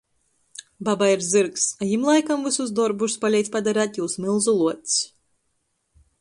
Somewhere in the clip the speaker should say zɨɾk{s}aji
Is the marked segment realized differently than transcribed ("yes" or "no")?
no